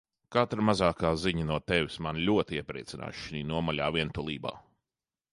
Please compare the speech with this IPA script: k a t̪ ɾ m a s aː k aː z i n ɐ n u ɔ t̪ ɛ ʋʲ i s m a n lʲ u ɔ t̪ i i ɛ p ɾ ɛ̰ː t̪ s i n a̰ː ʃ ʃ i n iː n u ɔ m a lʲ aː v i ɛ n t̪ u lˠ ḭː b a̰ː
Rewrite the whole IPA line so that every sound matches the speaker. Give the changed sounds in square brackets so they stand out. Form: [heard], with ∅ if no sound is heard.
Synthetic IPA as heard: k a t̪ ɾ m a [z] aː k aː z i [ɲ] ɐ n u ɔ t̪ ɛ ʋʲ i s m a n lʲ u ɔ t̪ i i ɛ p ɾ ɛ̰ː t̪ s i n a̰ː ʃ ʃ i n iː n u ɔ m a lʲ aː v i ɛ n t̪ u lˠ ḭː b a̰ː